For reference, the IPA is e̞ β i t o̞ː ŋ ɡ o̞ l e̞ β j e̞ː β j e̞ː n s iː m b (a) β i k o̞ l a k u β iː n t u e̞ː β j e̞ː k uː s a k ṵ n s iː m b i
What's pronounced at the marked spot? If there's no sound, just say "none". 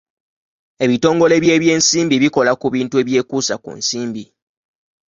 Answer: i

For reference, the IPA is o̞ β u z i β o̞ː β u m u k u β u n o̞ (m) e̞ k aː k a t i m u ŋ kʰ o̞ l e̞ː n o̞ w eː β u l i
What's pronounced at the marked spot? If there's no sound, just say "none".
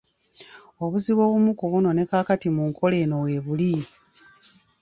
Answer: n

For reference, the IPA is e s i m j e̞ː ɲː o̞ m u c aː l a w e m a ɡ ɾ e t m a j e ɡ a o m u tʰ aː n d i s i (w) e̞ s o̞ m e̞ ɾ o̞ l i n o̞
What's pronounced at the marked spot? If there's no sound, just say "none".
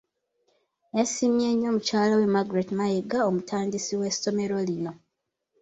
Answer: w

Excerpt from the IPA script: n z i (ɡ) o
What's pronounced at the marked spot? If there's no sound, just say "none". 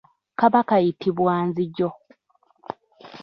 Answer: ɟ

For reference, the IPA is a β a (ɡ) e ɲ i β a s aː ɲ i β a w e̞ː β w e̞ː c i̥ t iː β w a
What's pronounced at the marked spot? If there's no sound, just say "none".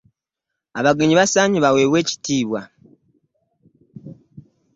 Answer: ɡ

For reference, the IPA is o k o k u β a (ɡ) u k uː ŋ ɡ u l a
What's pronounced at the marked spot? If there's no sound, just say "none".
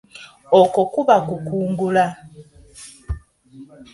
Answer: k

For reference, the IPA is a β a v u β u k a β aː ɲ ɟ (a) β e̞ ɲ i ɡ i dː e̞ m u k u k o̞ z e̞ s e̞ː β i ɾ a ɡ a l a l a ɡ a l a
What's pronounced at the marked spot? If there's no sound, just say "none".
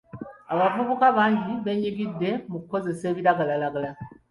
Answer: i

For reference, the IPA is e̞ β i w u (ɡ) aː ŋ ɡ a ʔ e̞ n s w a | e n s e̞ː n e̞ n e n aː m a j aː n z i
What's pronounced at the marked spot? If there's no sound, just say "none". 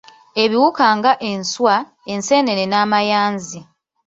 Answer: k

